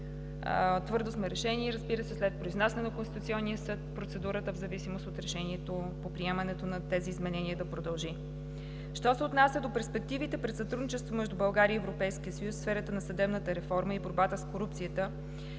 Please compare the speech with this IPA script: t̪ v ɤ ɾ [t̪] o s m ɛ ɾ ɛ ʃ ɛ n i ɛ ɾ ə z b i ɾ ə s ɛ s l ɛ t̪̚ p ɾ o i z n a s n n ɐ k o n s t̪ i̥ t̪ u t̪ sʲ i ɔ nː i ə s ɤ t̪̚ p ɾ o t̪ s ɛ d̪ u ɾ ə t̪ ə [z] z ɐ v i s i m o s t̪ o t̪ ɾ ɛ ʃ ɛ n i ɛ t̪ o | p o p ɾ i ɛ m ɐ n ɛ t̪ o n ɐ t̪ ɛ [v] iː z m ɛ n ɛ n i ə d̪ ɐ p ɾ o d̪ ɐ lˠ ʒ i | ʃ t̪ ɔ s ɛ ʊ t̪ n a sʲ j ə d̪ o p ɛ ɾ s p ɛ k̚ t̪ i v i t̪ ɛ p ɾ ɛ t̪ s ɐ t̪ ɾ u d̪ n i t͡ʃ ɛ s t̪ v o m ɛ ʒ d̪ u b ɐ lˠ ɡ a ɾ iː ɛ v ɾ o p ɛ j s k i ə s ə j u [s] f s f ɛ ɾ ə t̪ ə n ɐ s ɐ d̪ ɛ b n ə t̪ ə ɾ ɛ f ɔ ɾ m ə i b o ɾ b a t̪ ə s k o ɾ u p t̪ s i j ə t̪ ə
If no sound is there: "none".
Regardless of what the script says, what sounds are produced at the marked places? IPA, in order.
d̪, v, z, s

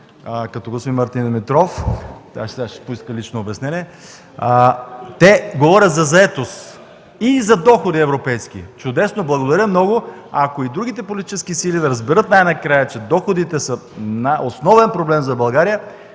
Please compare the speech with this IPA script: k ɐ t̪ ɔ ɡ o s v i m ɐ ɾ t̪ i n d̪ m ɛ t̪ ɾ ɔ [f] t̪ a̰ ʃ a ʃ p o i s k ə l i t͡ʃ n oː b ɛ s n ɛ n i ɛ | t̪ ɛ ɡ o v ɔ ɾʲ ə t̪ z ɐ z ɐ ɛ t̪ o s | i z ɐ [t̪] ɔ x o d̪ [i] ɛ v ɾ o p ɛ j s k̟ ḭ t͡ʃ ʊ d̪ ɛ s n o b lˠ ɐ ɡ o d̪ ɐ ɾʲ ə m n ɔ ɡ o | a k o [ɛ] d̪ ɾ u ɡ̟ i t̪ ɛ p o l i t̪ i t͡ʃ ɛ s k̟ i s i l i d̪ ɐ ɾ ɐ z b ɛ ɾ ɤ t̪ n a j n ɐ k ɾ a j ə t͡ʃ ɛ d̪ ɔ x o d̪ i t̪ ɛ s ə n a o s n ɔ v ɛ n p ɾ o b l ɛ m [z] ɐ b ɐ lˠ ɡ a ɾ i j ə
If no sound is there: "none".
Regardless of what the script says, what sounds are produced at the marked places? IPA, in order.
f, d̪, i, i, z

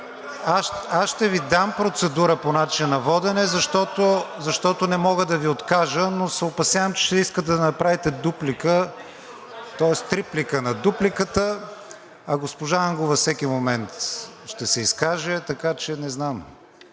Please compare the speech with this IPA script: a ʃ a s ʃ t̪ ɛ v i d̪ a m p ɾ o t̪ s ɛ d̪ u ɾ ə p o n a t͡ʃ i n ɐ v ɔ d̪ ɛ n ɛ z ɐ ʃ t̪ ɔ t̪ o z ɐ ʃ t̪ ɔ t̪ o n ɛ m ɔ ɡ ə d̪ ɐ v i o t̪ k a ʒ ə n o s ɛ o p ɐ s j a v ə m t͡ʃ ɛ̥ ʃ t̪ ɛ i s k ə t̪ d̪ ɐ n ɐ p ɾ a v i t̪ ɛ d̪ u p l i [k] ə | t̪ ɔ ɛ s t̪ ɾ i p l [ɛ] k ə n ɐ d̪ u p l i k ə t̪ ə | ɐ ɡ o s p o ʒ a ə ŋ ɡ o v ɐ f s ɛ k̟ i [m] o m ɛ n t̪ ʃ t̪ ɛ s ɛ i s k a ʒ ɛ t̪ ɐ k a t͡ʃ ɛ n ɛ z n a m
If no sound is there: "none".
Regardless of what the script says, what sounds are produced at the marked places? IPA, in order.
k, i, m

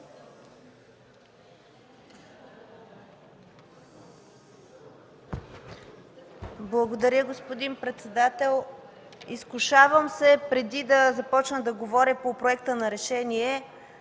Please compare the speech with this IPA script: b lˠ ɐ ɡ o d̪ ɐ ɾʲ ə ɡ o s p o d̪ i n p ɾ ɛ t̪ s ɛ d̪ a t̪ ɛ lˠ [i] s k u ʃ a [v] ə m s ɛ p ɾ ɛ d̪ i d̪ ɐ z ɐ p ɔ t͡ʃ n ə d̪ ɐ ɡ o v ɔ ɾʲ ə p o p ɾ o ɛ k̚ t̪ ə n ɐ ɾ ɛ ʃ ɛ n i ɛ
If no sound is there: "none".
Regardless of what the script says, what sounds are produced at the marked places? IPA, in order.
i, v

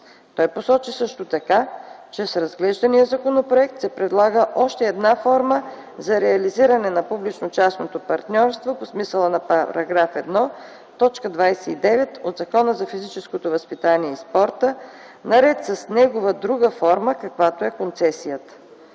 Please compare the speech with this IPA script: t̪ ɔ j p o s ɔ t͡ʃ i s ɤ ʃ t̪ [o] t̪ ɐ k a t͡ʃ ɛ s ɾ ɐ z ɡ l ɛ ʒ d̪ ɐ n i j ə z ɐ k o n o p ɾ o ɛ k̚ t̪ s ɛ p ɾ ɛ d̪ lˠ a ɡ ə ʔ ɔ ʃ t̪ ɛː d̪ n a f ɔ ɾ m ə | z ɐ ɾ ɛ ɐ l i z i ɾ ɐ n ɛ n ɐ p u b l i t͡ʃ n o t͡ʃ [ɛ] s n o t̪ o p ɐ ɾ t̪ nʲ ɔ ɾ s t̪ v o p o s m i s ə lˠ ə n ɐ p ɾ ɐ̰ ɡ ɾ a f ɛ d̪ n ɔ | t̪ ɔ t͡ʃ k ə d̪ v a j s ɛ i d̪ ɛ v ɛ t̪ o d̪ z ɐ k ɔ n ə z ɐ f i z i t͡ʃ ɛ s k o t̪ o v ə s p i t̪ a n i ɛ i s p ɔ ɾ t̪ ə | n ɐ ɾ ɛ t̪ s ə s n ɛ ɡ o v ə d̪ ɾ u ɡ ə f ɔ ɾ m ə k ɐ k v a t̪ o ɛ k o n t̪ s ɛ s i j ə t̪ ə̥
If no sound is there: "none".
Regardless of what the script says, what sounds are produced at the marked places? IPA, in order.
o, a

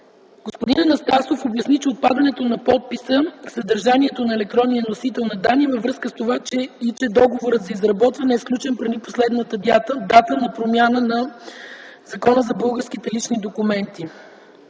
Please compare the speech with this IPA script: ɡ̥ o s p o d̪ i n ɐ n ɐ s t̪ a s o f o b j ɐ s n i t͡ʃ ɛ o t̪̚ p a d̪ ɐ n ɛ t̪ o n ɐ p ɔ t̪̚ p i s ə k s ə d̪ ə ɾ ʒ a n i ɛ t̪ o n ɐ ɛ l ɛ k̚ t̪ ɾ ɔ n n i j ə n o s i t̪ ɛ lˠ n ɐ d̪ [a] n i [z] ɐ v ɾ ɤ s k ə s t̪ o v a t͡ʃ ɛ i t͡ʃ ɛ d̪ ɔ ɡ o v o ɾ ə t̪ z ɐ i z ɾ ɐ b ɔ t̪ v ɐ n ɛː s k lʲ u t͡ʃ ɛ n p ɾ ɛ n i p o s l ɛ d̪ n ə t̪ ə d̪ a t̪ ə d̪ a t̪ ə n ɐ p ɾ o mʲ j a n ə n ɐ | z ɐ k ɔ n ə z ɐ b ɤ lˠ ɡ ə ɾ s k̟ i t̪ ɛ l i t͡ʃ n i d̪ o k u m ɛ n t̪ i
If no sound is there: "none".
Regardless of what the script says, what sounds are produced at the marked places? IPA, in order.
a, v

